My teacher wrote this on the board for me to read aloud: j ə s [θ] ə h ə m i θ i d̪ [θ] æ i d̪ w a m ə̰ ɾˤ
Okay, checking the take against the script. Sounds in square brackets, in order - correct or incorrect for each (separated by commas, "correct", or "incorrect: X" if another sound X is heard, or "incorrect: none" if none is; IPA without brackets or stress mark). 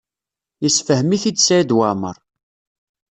incorrect: f, incorrect: s